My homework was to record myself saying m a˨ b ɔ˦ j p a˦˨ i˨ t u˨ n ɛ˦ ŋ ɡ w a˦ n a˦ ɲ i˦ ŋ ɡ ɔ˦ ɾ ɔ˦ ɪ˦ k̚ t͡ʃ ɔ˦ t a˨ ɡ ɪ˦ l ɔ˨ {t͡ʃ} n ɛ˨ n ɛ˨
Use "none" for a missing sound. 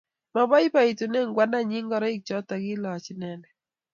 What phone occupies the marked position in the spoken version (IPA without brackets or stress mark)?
t͡ʃ